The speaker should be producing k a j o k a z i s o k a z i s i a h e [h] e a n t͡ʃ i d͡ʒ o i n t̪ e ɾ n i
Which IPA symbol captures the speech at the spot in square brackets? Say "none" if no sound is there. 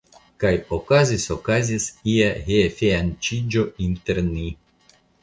f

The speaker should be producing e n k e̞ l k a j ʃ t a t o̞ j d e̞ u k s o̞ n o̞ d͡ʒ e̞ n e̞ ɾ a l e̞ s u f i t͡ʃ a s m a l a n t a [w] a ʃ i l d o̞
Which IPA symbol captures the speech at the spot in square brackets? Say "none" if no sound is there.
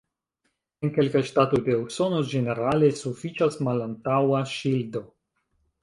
w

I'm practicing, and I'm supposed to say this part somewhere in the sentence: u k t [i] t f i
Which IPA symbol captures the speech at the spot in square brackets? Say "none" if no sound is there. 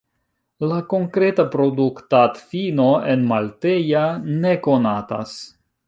a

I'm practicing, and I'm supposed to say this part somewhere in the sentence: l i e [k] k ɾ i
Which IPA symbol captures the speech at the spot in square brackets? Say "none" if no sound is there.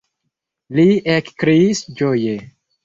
k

